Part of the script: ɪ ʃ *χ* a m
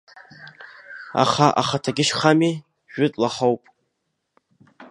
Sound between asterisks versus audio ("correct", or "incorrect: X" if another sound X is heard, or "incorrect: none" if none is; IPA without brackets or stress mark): correct